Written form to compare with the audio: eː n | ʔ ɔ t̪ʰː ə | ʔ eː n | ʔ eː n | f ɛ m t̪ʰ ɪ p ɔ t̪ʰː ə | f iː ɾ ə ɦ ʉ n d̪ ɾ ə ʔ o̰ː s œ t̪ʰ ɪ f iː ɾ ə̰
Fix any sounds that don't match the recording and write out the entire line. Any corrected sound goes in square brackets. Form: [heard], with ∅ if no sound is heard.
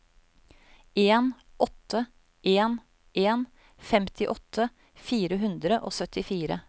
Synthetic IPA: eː n | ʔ ɔ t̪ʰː ə | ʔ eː n | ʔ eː n | f ɛ m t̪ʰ ɪ [ʔ] ɔ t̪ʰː ə | f iː ɾ ə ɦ ʉ n d̪ ɾ ə ʔ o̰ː s œ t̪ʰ ɪ f iː ɾ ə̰